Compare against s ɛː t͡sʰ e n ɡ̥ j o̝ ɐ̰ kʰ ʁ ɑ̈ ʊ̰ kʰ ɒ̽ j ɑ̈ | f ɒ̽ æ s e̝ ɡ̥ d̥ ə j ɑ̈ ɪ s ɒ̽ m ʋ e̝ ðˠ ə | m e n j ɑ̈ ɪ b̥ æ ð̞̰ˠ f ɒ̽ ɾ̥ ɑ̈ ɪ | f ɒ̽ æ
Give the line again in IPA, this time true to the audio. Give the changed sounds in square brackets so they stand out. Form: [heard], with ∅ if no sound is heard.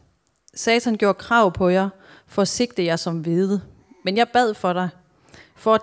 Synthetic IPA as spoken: s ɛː t͡sʰ [æ] n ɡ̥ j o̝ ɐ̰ kʰ ʁ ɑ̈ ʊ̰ [pʰ] ɒ̽ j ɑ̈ | f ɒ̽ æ s e̝ ɡ̥ d̥ ə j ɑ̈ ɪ s ɒ̽ m ʋ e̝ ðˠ ə | m e n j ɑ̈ ɪ b̥ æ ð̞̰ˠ f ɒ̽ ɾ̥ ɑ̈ ɪ | f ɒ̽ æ